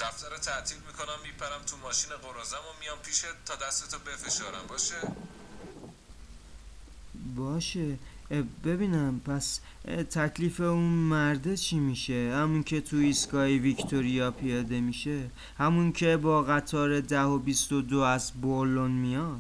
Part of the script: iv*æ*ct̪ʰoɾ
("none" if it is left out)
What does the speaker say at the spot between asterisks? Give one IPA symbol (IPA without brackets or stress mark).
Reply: i